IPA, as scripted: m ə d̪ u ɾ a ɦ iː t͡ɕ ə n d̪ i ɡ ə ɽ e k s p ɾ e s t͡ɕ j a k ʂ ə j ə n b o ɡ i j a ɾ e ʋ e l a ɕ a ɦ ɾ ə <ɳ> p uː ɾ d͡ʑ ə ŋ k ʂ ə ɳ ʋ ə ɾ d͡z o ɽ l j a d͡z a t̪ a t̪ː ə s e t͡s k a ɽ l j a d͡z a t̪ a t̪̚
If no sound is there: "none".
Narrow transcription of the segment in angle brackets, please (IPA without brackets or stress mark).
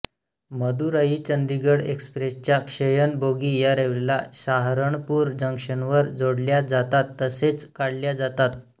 ɳ